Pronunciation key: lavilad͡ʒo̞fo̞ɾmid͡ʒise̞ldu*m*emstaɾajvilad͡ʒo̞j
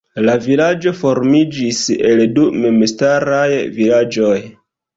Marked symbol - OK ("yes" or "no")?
yes